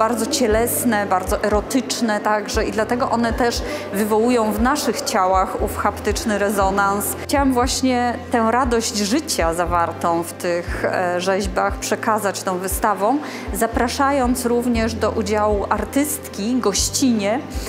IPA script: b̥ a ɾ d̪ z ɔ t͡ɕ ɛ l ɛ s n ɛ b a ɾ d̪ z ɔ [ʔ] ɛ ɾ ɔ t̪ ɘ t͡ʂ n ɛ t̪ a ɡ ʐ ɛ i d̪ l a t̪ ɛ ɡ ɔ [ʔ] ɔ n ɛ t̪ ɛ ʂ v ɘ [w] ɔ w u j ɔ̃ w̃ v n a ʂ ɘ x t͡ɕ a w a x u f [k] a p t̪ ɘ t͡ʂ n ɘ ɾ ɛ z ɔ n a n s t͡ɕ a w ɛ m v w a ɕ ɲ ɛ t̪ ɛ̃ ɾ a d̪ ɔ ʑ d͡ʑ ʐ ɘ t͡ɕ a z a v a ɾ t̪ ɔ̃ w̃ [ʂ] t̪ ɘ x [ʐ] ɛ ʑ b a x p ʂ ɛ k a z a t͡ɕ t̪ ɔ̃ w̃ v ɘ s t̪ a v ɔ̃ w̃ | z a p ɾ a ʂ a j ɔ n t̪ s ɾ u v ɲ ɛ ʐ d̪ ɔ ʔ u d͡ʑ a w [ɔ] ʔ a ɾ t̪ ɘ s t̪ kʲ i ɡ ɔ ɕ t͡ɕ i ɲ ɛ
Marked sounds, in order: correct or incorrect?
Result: correct, correct, incorrect, incorrect, incorrect, correct, incorrect

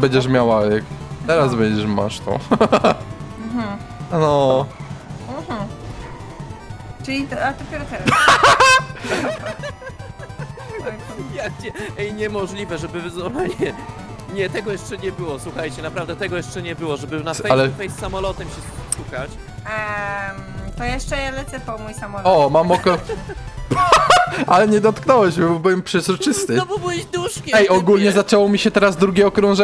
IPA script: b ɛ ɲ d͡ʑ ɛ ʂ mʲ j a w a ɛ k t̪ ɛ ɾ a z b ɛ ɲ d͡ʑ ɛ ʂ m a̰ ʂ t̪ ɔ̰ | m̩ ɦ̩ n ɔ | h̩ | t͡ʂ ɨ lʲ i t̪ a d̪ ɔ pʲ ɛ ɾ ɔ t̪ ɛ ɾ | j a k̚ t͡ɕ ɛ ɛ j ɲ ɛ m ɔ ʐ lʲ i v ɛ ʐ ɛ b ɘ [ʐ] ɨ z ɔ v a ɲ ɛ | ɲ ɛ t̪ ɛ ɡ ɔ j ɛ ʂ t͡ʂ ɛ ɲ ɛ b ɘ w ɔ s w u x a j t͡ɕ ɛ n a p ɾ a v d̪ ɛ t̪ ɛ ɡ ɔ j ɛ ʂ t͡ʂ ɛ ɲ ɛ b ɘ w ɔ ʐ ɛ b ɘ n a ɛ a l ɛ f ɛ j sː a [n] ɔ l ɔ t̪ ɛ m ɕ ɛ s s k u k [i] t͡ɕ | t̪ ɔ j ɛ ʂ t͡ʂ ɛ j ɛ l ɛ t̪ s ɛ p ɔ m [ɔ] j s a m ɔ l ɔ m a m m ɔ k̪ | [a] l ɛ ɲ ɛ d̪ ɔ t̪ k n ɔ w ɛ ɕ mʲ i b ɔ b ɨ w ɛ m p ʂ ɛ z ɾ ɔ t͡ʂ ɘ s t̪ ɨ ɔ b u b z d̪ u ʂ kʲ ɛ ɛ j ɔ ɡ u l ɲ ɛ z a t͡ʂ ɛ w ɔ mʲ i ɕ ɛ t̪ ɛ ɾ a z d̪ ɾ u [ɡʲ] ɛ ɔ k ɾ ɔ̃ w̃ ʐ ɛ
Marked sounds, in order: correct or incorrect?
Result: incorrect, incorrect, incorrect, incorrect, correct, correct

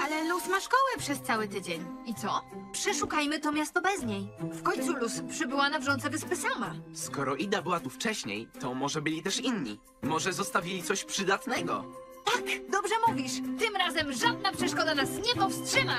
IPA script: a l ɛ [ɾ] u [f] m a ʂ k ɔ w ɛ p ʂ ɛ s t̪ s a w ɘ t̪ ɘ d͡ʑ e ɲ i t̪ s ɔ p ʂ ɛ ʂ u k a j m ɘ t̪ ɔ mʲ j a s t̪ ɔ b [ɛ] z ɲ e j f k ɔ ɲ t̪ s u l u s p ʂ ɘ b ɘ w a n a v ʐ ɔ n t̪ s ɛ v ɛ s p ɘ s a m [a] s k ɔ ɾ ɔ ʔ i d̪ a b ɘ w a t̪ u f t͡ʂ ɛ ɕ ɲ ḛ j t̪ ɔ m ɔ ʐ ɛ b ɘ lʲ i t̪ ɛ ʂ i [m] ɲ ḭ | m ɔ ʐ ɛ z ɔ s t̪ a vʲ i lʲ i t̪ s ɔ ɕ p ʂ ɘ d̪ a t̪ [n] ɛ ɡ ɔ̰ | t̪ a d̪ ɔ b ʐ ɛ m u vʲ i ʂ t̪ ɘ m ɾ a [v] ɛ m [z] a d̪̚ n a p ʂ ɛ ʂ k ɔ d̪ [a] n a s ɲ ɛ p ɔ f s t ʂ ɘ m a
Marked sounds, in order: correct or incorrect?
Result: incorrect, incorrect, correct, correct, incorrect, correct, incorrect, incorrect, correct

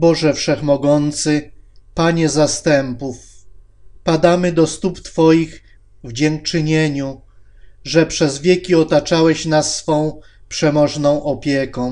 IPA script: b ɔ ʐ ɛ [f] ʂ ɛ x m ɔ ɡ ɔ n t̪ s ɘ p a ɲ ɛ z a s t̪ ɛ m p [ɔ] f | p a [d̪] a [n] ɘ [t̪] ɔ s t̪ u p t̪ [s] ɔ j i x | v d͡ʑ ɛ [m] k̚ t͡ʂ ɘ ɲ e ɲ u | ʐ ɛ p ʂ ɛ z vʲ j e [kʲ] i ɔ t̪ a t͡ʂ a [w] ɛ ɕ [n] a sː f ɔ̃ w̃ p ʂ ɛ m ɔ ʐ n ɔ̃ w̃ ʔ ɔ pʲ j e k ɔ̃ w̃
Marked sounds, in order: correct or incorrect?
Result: correct, incorrect, correct, incorrect, incorrect, incorrect, incorrect, correct, correct, correct

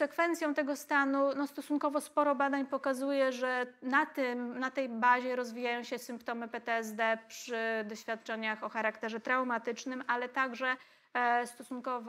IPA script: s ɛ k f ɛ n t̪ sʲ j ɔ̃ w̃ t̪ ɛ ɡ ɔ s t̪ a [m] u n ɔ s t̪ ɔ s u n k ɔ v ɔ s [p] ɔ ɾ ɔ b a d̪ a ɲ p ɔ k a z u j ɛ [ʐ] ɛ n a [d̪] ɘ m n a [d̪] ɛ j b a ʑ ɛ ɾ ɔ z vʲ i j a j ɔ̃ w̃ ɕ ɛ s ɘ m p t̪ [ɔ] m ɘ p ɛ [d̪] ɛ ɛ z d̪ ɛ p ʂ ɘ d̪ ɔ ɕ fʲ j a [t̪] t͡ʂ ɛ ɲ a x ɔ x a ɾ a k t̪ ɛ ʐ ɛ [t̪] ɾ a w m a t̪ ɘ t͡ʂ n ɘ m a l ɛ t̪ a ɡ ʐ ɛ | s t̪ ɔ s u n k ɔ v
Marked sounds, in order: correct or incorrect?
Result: incorrect, correct, correct, incorrect, incorrect, correct, incorrect, correct, correct

